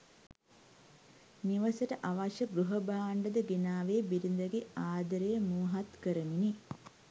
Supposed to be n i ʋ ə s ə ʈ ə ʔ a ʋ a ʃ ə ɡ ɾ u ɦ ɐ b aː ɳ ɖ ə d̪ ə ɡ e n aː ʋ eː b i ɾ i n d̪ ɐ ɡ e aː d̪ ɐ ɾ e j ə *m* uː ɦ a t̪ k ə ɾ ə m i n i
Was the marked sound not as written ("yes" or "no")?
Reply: no